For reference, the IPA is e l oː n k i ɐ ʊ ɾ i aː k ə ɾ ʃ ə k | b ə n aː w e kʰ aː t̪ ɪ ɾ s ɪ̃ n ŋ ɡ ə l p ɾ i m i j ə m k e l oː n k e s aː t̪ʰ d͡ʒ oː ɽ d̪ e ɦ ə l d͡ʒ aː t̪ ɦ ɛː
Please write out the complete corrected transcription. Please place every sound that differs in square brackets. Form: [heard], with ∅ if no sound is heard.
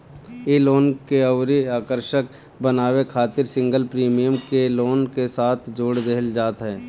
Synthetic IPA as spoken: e l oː n k [e] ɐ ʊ ɾ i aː k ə ɾ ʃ ə k | b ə n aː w e kʰ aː t̪ ɪ ɾ s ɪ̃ [∅] ŋ ɡ ə l p ɾ [iː] m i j ə m k e l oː n k e s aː t̪ʰ d͡ʒ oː ɽ d̪ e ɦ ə l d͡ʒ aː t̪ ɦ ɛː